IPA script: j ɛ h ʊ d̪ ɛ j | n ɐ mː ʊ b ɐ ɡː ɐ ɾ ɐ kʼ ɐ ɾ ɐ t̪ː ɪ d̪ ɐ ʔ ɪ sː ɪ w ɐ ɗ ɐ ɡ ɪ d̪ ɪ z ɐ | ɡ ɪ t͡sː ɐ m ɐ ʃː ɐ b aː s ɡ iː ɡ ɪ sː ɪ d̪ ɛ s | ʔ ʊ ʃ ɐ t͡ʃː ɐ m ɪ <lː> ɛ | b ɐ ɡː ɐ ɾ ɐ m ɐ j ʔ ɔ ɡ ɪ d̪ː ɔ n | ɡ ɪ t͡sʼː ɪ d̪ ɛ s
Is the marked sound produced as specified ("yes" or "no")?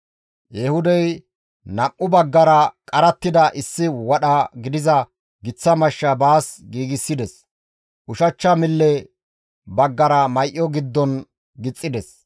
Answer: yes